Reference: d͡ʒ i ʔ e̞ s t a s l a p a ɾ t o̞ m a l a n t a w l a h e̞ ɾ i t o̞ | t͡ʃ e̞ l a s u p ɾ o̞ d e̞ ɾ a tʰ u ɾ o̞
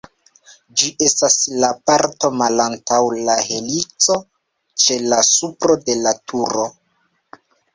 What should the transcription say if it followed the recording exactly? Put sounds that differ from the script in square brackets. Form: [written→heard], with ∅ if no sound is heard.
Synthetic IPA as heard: d͡ʒ i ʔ e̞ s t a s l a p a ɾ t o̞ m a l a n t a w l a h e̞ [ɾ→l] i [t→t͡s] o̞ | t͡ʃ e̞ l a s u p ɾ o̞ d e̞ [ɾ→l] a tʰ u ɾ o̞

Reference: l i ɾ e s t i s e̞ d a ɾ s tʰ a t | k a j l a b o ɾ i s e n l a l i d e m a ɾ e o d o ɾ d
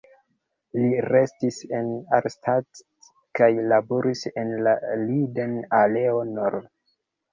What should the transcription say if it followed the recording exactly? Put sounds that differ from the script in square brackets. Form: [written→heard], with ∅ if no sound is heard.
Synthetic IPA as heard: l i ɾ e s t i s e̞ [d→n] a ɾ s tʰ a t | k a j l a b o ɾ i s e n l a l i d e [m→n] a [ɾ→l] e o [d→n] o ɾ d

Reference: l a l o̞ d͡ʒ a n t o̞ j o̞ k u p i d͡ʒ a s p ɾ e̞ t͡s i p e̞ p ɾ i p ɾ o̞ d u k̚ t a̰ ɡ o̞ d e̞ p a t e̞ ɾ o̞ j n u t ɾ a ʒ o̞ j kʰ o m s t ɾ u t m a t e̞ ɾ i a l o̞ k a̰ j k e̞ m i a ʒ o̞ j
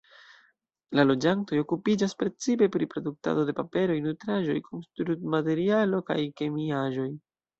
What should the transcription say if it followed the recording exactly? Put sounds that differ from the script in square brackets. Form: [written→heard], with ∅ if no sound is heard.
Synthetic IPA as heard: l a l o̞ d͡ʒ a n t o̞ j o̞ k u p i d͡ʒ a s p ɾ e̞ t͡s i p e̞ p ɾ i p ɾ o̞ d u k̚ t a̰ [ɡ→d] o̞ d e̞ p a [t→p] e̞ ɾ o̞ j n u t ɾ a ʒ o̞ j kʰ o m s t ɾ u t m a t e̞ ɾ i a l o̞ k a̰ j k e̞ m i a ʒ o̞ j

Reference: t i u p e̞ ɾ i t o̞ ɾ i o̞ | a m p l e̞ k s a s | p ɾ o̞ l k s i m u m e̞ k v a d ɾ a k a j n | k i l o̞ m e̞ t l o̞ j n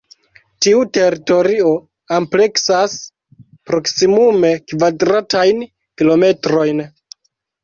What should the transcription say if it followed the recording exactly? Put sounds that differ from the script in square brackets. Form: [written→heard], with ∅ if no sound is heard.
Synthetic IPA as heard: t i u [p→t] e̞ ɾ i t o̞ ɾ i o̞ | a m p l e̞ k s a s | p ɾ o̞ [l→∅] k s i m u m e̞ k v a d ɾ a [k→t] a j n | k i l o̞ m e̞ t [l→ɾ] o̞ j n

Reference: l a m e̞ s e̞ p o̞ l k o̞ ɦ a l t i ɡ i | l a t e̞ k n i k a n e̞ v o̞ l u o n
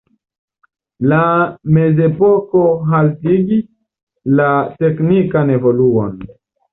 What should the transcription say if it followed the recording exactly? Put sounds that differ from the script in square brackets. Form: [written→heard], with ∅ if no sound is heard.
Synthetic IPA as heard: l a m e̞ [s→z] e̞ p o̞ [l→∅] k o̞ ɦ a l t i ɡ i | l a t e̞ k n i k a n e̞ v o̞ l u o n

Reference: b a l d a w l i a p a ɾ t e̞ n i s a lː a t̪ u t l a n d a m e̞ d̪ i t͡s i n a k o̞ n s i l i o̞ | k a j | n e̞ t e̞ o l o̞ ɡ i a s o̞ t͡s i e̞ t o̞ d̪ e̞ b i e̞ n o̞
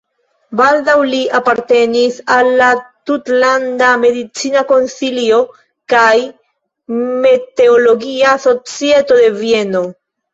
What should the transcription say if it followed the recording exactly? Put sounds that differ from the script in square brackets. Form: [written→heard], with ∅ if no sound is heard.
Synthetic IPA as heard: b a l d a w l i a p a ɾ t e̞ n i s a lː a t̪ u t l a n d a m e̞ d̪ i t͡s i n a k o̞ n s i l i o̞ | k a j | [n→m] e̞ t e̞ o l o̞ ɡ i a s o̞ t͡s i e̞ t o̞ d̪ e̞ [b→v] i e̞ n o̞

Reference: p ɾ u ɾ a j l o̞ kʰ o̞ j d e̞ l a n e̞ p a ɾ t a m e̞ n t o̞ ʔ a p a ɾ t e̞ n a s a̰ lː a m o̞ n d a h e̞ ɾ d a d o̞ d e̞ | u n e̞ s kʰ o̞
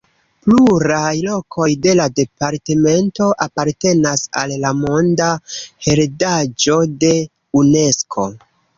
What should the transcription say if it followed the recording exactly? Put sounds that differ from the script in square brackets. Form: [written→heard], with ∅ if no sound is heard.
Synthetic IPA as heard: p [ɾ→l] u ɾ a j l o̞ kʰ o̞ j d e̞ l a [n→d] e̞ p a ɾ t [a→e] m e̞ n t o̞ ʔ a p a ɾ t e̞ n a s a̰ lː a m o̞ n d a h e̞ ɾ d a [d→d͡ʒ] o̞ d e̞ | u n e̞ s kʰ o̞

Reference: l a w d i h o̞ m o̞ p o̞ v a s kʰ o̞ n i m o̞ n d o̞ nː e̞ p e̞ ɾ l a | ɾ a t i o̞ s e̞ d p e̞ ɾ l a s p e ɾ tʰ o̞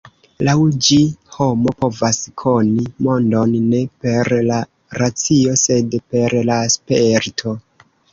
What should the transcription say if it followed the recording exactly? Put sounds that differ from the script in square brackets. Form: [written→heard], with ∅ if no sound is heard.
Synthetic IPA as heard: l a w [d→d͡ʒ] i h o̞ m o̞ p o̞ v a s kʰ o̞ n i m o̞ n d o̞ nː e̞ p e̞ ɾ l a | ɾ a [t→t͡s] i o̞ s e̞ d p e̞ ɾ l a s p e ɾ tʰ o̞

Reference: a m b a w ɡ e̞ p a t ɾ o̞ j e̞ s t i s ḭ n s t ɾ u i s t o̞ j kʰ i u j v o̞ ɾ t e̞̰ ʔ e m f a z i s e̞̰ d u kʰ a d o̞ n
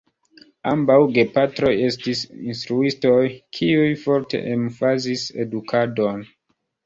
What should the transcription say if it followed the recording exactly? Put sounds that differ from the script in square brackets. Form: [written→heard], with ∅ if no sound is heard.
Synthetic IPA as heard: a m b a w ɡ e̞ p a t ɾ o̞ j e̞ s t i s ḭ n s t ɾ u i s t o̞ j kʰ i u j [v→f] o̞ ɾ t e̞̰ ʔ e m f a z i s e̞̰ d u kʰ a d o̞ n

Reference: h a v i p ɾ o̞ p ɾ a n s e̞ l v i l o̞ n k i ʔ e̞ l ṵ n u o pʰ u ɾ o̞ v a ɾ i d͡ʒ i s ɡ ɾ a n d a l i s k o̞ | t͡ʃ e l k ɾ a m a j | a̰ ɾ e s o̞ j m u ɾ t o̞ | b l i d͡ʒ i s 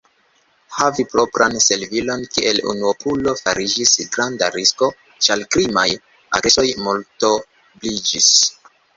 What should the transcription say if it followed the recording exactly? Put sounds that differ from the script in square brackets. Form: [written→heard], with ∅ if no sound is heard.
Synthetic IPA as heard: h a v i p ɾ o̞ p ɾ a n s e̞ l v i l o̞ n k i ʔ e̞ l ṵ n u o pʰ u [ɾ→l] o̞ [v→f] a ɾ i d͡ʒ i s ɡ ɾ a n d a [l→ɾ] i s k o̞ | t͡ʃ [e→a] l k ɾ [a→i] m a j | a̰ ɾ e s o̞ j m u [ɾ→l] t o̞ | b l i d͡ʒ i s

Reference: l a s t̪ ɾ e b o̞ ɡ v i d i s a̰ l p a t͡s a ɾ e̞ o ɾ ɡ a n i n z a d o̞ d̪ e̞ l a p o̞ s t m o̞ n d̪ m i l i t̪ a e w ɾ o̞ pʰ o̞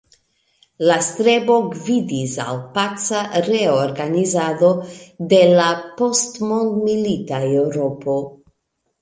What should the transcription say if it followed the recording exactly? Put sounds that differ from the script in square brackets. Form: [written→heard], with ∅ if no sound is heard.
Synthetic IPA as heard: l a s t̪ ɾ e b o̞ ɡ v i d i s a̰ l p a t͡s a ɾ e̞ o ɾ ɡ a n i [n→∅] z a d o̞ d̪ e̞ l a p o̞ s t m o̞ n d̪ m i l i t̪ a e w ɾ o̞ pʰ o̞

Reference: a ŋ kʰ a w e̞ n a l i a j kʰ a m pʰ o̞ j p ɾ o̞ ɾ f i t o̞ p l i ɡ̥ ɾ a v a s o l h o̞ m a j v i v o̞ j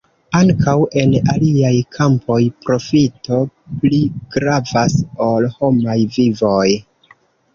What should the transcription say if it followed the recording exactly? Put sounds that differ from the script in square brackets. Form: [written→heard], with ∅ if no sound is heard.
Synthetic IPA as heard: a ŋ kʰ a w e̞ n a l i a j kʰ a m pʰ o̞ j p ɾ o̞ [ɾ→∅] f i t o̞ p l i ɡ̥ ɾ a v a s o l h o̞ m a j v i v o̞ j

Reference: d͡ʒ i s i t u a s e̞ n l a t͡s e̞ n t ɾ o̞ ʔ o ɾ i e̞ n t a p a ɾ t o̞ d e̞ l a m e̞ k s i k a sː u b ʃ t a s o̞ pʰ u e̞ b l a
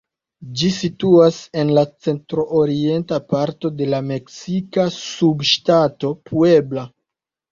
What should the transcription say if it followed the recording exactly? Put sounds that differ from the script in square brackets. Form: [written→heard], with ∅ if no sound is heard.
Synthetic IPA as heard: d͡ʒ i s i t u a s e̞ n l a t͡s e̞ n t ɾ o̞ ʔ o ɾ i e̞ n t a p a ɾ t o̞ d e̞ l a m e̞ k s i k a [sː→s] u b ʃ t a [s→t] o̞ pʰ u e̞ b l a

